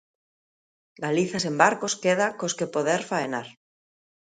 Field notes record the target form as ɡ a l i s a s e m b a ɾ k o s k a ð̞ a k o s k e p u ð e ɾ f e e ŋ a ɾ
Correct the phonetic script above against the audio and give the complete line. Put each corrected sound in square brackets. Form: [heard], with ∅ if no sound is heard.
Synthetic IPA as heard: ɡ a l i [θ] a s e m b a ɾ k o s k [e] ð̞ a k o s k e p [o] ð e ɾ f [a] e [n] a ɾ